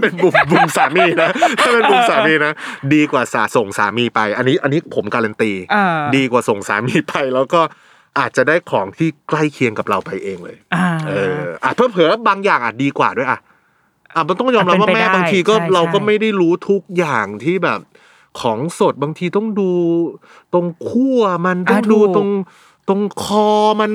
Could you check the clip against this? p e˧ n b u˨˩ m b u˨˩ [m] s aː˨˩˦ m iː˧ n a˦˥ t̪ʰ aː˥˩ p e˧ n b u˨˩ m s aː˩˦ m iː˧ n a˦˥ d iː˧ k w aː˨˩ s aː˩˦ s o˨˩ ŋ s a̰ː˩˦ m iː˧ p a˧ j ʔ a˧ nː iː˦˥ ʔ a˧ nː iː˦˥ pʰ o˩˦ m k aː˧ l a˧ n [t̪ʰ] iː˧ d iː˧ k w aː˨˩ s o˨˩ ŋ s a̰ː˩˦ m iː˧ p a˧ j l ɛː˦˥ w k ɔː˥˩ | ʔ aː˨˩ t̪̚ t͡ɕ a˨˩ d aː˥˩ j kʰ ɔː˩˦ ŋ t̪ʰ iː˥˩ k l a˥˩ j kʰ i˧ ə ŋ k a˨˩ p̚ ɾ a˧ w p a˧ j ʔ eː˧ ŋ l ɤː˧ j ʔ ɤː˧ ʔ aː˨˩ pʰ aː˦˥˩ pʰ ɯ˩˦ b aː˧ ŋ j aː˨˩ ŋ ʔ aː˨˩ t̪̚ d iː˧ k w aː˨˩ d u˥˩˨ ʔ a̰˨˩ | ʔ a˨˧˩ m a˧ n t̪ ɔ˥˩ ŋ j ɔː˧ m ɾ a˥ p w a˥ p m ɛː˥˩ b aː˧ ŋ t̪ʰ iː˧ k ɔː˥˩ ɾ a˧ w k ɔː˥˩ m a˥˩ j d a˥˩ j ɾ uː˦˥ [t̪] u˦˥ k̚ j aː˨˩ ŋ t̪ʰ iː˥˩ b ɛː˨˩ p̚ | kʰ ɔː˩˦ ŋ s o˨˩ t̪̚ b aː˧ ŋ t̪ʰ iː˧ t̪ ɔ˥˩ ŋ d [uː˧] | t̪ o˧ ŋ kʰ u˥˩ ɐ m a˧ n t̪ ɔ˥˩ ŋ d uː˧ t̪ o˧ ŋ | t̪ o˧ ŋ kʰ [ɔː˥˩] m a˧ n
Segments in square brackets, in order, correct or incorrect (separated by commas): correct, incorrect, incorrect, correct, incorrect